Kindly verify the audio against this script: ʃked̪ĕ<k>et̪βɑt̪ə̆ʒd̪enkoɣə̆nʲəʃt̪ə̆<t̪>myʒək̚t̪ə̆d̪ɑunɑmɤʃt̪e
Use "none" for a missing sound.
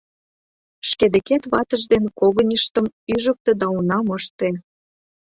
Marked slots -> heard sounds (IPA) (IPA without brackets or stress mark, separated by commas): k, none